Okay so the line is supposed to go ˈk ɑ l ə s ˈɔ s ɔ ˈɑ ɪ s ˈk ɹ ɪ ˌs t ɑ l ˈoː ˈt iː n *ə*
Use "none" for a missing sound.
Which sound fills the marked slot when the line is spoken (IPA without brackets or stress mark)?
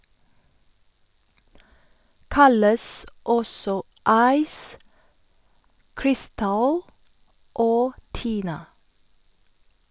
ɑ